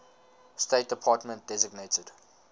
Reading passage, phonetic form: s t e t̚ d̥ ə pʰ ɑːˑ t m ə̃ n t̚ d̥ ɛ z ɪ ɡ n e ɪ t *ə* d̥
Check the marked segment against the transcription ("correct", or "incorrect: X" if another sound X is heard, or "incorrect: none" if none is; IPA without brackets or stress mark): correct